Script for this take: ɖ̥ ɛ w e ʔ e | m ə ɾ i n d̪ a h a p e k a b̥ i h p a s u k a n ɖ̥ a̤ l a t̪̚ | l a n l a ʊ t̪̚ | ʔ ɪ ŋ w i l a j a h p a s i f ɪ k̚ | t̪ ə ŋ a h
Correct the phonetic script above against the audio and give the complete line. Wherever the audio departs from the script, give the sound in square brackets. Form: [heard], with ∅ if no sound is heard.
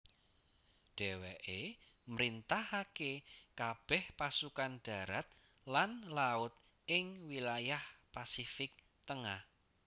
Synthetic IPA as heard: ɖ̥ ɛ w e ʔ e | m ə ɾ i n [t̪] a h a [k] e k a b̥ [ɛ] h p a s u k a n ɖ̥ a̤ [ɾ] a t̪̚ | l a n l a ʊ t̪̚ | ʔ ɪ ŋ w i l a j a h p a s i f ɪ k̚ | t̪ ə ŋ a h